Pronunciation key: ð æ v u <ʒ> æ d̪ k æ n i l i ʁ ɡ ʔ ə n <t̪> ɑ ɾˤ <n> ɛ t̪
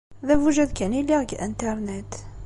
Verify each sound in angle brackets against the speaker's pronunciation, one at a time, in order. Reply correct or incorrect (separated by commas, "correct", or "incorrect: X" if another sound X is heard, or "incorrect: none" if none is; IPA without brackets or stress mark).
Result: correct, correct, correct